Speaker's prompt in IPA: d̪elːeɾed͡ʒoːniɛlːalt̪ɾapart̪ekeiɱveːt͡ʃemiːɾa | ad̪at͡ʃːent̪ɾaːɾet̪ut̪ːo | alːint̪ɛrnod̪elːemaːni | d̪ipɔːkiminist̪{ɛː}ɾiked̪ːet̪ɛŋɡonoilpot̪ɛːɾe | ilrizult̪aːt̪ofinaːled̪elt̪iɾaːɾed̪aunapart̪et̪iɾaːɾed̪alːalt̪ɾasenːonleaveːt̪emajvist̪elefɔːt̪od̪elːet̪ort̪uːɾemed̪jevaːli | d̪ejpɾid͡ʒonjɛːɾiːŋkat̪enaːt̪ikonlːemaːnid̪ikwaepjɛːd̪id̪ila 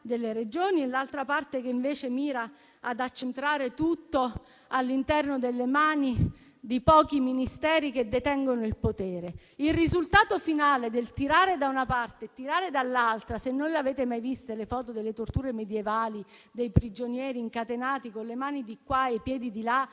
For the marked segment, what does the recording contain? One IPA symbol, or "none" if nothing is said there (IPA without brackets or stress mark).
ɛː